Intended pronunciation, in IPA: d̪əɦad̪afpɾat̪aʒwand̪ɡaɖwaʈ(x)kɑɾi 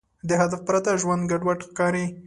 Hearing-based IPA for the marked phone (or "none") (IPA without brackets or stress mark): x